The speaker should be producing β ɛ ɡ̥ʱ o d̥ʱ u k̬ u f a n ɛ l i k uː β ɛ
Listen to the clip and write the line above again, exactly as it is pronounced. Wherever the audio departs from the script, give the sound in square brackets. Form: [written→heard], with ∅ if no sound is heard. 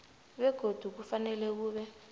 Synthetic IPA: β ɛ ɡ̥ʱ o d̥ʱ u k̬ u f a n ɛ l [i→ɛ] k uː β ɛ